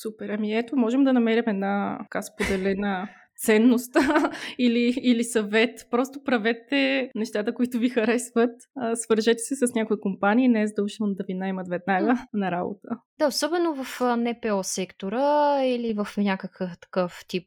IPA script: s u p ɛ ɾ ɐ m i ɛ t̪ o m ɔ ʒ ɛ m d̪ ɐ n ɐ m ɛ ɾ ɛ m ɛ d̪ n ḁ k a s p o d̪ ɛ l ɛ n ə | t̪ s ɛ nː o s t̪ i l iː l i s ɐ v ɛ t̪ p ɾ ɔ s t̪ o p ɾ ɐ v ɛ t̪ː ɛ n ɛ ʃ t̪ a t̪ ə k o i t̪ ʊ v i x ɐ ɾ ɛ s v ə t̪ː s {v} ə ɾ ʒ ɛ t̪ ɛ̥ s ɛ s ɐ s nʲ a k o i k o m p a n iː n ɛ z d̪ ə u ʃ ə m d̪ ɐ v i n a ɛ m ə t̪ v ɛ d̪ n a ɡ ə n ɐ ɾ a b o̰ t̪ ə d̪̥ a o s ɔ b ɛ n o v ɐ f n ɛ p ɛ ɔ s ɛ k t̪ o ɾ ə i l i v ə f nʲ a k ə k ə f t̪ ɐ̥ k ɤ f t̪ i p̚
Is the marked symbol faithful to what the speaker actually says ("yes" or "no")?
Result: yes